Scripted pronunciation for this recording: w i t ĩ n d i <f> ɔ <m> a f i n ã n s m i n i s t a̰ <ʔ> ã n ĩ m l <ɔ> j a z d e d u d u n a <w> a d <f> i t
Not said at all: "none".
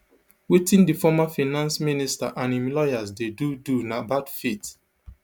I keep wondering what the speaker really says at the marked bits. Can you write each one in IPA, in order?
f, m, ʔ, ɔ, b, f

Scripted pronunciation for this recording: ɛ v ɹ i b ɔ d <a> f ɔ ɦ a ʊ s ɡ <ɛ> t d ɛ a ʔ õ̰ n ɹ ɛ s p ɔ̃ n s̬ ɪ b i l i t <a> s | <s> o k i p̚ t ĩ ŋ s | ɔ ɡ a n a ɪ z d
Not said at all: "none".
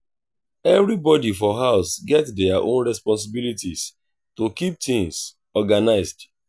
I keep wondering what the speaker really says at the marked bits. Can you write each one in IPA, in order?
i, ɛ, i, t

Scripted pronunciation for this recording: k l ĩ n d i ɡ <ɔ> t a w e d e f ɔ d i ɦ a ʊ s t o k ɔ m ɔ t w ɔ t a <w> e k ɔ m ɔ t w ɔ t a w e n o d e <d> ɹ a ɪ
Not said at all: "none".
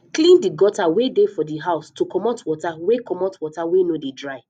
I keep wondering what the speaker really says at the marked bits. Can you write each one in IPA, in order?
ɔ, w, d

